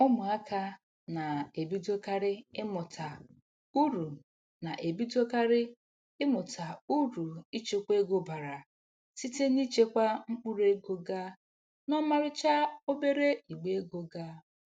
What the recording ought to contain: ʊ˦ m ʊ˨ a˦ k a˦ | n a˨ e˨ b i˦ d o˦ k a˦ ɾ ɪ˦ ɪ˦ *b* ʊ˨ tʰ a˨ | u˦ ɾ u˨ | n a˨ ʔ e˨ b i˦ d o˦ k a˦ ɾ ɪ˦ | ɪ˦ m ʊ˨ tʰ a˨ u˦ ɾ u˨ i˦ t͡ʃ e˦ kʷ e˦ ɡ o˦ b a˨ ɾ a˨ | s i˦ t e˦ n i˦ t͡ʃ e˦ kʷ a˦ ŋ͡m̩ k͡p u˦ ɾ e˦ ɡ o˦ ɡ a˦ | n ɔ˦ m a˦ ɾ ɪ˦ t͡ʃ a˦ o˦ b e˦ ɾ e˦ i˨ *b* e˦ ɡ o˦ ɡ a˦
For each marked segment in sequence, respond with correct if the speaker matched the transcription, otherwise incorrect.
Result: incorrect, incorrect

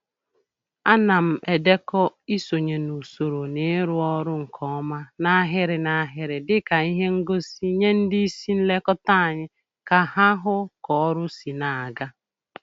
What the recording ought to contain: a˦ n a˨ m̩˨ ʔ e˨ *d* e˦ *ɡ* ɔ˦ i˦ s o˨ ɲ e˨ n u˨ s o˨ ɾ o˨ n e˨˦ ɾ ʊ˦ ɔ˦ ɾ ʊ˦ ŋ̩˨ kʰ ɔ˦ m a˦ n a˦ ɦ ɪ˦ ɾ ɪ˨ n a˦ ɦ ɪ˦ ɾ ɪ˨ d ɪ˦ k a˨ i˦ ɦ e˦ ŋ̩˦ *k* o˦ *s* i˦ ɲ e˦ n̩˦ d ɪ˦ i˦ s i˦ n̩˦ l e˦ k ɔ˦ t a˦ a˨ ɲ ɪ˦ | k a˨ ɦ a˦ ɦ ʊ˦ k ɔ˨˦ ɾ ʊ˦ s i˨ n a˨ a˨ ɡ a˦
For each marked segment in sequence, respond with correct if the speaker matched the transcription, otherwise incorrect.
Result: correct, incorrect, incorrect, correct

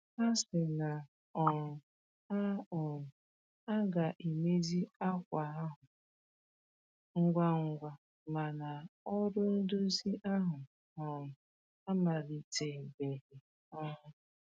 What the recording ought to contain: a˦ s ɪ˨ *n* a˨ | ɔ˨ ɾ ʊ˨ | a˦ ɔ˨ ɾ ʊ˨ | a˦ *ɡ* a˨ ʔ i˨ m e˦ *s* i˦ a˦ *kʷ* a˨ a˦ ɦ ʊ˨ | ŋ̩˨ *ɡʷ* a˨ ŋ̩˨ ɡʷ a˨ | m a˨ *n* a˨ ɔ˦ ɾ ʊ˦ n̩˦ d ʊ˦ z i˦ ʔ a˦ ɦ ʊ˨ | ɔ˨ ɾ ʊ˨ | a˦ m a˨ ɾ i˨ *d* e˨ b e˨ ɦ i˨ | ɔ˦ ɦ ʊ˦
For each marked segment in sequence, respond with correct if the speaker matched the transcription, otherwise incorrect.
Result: correct, correct, incorrect, correct, correct, correct, incorrect

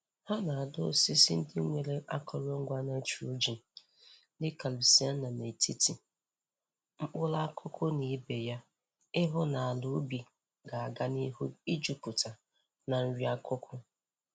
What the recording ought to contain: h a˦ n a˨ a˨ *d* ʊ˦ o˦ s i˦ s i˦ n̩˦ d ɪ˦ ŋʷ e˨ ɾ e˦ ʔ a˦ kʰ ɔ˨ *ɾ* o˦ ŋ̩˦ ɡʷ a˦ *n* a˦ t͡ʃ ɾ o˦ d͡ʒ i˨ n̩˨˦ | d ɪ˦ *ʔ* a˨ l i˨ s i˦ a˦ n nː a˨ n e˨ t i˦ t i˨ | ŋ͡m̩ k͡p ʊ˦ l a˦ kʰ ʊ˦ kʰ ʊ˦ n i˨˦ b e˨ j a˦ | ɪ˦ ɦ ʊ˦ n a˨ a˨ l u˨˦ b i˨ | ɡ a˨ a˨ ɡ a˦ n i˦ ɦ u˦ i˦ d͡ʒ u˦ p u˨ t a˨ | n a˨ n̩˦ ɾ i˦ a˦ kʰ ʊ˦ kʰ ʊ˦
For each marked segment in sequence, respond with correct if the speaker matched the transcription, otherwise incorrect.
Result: correct, correct, correct, incorrect

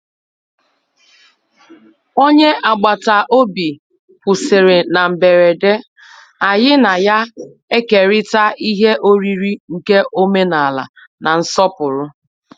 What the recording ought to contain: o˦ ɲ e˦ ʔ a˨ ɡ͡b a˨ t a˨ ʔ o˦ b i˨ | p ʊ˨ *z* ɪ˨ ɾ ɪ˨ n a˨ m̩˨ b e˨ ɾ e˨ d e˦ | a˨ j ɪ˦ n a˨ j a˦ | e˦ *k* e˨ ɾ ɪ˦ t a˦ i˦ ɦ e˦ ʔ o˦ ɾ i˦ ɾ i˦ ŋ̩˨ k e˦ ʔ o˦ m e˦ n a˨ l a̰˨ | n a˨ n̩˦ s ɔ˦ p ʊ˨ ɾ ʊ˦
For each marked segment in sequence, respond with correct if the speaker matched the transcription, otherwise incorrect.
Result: incorrect, correct

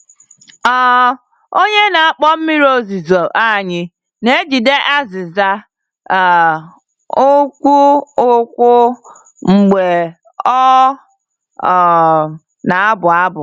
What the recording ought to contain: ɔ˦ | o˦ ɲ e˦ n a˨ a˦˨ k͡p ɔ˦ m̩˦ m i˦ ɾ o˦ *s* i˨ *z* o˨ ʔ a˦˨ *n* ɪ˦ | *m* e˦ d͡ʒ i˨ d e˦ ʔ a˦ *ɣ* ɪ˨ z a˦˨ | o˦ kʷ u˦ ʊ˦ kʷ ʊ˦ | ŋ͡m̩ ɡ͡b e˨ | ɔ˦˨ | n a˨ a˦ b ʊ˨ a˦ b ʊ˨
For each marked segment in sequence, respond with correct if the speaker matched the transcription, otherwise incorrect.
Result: incorrect, correct, incorrect, incorrect, incorrect

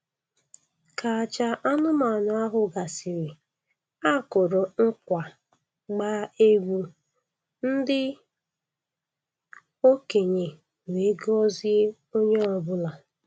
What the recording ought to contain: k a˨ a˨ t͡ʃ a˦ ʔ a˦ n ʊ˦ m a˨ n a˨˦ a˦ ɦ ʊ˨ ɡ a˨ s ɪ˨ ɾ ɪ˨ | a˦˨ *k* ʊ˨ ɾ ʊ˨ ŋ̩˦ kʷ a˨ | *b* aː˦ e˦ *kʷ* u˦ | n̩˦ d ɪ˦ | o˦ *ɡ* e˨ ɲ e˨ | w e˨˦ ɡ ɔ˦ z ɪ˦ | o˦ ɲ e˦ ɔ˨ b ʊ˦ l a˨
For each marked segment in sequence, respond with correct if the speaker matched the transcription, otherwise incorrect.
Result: correct, incorrect, incorrect, incorrect

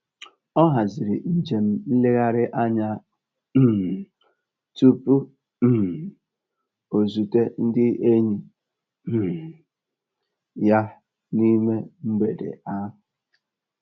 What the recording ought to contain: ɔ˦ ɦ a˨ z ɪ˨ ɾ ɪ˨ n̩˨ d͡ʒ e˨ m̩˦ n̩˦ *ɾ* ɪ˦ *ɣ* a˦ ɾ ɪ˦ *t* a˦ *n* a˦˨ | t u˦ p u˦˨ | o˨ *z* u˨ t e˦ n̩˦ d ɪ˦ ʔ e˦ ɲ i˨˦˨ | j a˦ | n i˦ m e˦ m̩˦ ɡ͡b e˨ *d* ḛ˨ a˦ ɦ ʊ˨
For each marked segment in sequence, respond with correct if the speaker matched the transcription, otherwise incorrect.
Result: incorrect, correct, incorrect, incorrect, correct, correct

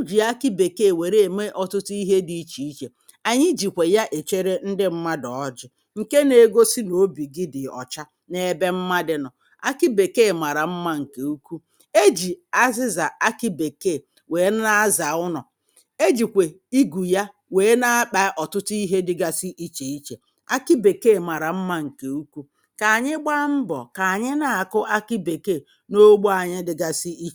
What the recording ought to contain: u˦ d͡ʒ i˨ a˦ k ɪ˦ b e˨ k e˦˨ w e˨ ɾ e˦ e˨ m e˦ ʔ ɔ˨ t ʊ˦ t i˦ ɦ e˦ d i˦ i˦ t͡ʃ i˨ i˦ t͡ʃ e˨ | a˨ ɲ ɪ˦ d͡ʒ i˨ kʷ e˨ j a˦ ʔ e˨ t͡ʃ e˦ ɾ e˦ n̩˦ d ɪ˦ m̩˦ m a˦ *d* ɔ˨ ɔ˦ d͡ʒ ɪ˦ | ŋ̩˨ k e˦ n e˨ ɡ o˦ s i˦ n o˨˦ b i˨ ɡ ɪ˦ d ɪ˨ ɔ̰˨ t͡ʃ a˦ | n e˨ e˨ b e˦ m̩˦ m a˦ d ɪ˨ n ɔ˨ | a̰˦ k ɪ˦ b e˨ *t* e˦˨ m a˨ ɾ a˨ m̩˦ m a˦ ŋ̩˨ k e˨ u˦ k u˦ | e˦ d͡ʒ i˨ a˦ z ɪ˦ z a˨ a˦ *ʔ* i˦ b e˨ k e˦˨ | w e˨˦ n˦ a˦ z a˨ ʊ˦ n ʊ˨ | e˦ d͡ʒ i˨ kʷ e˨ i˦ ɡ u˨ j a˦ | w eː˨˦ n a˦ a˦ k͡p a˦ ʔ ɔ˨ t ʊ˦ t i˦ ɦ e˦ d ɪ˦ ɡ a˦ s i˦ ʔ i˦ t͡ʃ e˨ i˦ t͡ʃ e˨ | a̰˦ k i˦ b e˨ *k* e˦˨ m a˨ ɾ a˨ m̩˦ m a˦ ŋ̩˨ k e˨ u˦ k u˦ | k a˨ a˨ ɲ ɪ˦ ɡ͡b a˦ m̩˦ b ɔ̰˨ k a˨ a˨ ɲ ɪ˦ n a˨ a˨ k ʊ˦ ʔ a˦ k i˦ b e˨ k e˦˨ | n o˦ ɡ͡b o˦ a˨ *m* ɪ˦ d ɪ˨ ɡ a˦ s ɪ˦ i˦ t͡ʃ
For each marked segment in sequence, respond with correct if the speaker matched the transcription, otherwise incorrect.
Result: correct, incorrect, incorrect, correct, incorrect

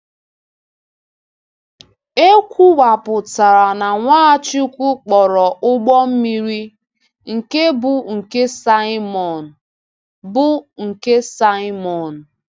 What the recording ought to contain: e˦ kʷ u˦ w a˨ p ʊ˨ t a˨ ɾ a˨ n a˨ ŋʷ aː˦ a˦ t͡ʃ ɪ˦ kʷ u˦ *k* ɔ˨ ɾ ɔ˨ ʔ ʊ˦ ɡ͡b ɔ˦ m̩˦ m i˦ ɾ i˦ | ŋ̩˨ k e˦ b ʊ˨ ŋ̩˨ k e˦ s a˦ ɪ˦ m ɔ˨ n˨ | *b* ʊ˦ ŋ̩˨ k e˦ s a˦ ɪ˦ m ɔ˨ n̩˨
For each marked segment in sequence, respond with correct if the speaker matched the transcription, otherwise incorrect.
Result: incorrect, correct

